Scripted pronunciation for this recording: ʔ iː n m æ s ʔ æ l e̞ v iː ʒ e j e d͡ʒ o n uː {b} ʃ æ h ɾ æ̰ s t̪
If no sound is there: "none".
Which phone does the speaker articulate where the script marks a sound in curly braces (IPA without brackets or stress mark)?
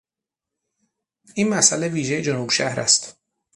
b